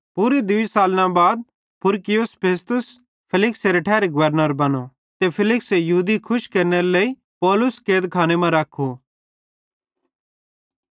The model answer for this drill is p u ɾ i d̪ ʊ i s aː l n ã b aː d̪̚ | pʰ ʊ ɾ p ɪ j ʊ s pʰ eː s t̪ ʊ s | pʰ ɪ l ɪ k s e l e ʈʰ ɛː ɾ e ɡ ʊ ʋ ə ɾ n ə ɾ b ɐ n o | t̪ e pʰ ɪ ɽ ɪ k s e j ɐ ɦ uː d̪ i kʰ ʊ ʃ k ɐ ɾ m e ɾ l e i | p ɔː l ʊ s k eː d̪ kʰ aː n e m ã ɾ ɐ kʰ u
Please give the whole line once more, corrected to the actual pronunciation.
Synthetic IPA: p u ɾ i d̪ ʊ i s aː l n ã b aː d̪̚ | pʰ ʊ ɾ k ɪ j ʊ s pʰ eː s t̪ ʊ s | pʰ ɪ l ɪ k s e ɾ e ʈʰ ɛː ɾ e ɡ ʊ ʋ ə ɾ n ə ɾ b ɐ n o | t̪ e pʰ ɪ l ɪ k s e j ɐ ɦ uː d̪ i kʰ ʊ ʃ k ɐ ɾ n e ɾ l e i | p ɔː l ʊ s k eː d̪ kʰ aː n e m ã ɾ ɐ kʰ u